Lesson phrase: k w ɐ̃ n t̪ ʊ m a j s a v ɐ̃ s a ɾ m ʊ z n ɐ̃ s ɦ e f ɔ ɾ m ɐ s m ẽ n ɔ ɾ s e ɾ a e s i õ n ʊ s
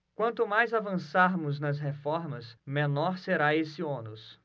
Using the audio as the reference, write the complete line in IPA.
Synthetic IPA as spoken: k w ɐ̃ n t̪ ʊ m a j z a v ɐ̃ s a ɾ m ʊ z n ɐ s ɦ e f ɔ ɾ m ɐ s m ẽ n ɔ ɾ s e ɾ a e s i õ n ʊ s